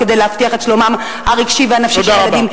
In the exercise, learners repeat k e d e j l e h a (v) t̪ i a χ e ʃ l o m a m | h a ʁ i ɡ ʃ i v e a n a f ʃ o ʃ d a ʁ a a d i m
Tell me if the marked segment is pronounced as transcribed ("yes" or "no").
no